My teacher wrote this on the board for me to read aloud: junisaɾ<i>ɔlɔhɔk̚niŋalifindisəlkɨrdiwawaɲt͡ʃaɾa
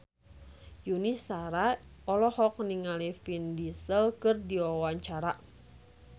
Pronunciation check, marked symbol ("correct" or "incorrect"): incorrect